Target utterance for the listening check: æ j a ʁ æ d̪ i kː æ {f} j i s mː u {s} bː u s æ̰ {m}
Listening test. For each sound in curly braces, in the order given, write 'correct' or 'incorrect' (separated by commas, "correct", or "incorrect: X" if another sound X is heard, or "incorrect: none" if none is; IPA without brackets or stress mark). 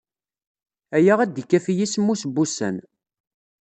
correct, correct, incorrect: n